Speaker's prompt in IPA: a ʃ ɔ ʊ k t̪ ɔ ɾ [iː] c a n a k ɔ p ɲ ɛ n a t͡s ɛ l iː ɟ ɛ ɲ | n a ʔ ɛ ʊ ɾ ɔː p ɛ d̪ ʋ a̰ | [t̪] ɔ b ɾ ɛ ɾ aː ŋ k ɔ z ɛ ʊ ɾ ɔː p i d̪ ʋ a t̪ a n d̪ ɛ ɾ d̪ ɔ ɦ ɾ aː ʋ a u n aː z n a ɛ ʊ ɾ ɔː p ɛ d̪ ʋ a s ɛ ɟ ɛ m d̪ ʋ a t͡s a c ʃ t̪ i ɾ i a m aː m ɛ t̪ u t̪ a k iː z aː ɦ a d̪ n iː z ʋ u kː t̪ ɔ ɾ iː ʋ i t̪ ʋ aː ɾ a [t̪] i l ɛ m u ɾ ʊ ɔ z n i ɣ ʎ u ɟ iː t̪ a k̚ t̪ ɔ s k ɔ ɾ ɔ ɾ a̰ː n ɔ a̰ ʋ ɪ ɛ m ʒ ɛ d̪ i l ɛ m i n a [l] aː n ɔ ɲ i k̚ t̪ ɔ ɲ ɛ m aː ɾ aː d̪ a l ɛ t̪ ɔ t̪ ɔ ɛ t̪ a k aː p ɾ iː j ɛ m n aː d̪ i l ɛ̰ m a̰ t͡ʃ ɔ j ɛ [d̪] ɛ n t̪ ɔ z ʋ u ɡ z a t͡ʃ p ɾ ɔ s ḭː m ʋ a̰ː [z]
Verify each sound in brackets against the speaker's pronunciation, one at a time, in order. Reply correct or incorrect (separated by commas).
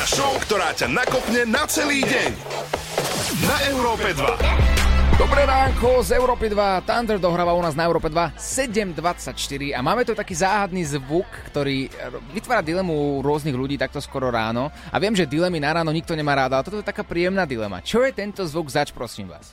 incorrect, incorrect, incorrect, incorrect, incorrect, incorrect